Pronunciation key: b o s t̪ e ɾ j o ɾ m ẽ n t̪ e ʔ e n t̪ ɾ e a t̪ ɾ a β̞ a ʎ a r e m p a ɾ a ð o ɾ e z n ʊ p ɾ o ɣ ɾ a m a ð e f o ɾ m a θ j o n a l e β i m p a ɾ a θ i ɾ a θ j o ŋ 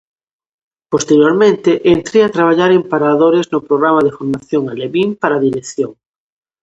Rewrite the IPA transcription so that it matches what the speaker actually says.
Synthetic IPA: p o s t̪ e ɾ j o ɾ m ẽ n t̪ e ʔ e n t̪ ɾ e a t̪ ɾ a β̞ a ʎ a ɾ e m p a ɾ a ð o ɾ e z n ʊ p ɾ o ɣ ɾ a m a ð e f o ɾ m a θ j o ŋ a l e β i m p a ɾ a ð i ɾ e θ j o ŋ

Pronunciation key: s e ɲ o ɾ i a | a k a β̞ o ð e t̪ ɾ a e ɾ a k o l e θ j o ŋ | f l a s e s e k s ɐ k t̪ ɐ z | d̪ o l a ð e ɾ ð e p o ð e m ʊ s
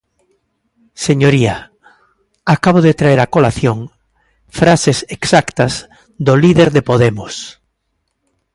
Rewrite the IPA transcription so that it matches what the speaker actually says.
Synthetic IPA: s e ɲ o ɾ i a | a k a β̞ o ð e t̪ ɾ a e ɾ a k o l a θ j o ŋ | f ɾ a s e s e k s a k t̪ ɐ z | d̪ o l i ð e ɾ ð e p o ð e m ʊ s

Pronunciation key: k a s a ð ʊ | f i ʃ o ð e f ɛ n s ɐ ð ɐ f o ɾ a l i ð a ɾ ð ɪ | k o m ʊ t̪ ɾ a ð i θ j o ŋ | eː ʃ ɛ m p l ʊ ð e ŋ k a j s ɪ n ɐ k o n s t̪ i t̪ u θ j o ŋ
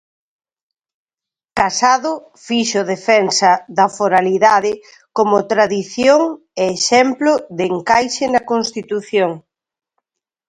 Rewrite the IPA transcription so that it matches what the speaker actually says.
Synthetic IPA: k a s a ð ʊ | f i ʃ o ð e f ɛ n s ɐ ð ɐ f o ɾ a l i ð a ð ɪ | k o m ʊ t̪ ɾ a ð i θ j o ŋ | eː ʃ ɛ m p l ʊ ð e ŋ k a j ʃ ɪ n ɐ k o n s t̪ i t̪ u θ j o ŋ

